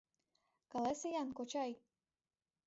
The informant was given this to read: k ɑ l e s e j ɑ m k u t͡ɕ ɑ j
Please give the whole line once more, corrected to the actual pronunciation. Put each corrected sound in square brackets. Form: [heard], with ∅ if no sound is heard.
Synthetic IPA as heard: k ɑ l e s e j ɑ [n] k [o] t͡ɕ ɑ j